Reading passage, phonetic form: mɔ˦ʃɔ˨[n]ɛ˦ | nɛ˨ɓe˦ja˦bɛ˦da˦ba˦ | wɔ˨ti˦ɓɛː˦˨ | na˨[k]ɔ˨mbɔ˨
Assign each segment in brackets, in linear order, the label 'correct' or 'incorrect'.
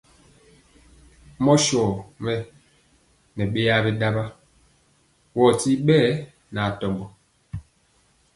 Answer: incorrect: m, incorrect: t

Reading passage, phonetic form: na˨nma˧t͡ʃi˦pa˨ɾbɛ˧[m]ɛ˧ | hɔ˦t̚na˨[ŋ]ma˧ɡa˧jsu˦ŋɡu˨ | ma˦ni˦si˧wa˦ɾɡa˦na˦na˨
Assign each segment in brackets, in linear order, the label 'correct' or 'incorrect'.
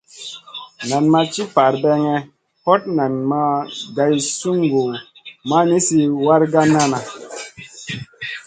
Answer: incorrect: ŋ, incorrect: n

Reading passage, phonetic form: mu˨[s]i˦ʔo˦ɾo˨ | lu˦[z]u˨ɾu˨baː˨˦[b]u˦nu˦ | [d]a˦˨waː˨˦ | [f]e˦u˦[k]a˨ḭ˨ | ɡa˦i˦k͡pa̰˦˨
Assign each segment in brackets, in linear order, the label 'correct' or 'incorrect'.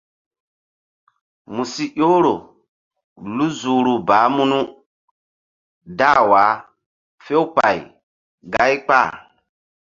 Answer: correct, correct, incorrect: m, correct, correct, incorrect: p

